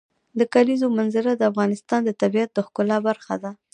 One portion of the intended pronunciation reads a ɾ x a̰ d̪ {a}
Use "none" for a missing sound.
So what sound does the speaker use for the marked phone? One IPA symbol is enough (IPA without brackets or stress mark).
a